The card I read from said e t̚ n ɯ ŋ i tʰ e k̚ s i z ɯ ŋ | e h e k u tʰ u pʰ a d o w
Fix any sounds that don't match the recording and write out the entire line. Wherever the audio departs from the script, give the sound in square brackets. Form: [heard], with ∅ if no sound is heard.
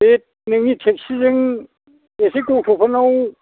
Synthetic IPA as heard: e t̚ n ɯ ŋ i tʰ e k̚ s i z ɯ ŋ | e [s] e k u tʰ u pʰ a [n] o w